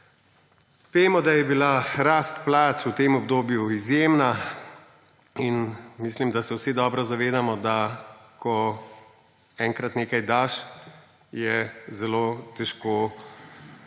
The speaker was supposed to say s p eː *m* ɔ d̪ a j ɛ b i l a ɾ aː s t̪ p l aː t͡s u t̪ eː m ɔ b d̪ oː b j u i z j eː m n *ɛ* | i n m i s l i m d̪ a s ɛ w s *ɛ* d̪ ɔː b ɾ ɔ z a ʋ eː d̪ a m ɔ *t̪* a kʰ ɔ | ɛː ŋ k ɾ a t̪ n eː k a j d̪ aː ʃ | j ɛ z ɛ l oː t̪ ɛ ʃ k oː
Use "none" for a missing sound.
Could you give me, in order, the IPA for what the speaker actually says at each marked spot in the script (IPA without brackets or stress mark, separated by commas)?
m, a, i, d̪